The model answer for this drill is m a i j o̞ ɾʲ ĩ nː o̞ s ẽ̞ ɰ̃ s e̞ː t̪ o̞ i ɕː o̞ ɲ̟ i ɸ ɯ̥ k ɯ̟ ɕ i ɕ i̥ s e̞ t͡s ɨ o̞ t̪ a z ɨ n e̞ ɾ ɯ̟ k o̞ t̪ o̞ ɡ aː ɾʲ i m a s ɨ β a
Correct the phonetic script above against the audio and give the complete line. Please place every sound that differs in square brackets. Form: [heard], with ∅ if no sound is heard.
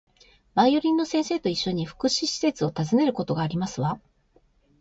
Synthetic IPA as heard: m a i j o̞ ɾʲ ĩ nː o̞ s ẽ̞ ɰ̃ s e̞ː t̪ o̞ i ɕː o̞ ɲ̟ i ɸ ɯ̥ k ɯ̟ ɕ i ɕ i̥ s e̞ t͡s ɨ o̞ t̪ a z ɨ n e̞ ɾ ɯ̟ k o̞ t̪ o̞ ɡ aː ɾʲ i m a s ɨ β a